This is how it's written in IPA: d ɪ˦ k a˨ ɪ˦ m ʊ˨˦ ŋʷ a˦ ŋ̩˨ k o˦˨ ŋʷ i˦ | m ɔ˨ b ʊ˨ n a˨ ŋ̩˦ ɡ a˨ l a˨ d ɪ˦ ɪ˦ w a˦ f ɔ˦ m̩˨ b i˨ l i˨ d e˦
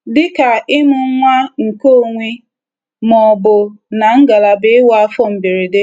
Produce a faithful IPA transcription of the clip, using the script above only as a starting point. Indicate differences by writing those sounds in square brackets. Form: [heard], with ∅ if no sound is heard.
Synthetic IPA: d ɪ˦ k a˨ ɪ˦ m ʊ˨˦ ŋʷ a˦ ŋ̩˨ k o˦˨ ŋʷ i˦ | m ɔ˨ b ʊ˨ n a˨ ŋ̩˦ ɡ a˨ l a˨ [b] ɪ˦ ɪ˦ w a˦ f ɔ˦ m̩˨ b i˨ [ɾ] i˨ d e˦